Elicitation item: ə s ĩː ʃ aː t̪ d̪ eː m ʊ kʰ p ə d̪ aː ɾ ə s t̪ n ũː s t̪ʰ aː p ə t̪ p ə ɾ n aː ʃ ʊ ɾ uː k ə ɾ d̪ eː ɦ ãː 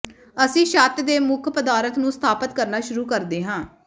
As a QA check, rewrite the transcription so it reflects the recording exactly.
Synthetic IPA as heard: ə s ĩː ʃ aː t̪ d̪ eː m ʊ kʰ p ə d̪ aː ɾ ə t̪ n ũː s t̪ʰ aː p ə t̪ k ə ɾ n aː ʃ ʊ ɾ uː k ə ɾ d̪ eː ɦ ãː